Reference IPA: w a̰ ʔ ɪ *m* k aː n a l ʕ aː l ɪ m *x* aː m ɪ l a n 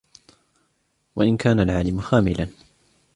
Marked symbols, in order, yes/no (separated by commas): no, yes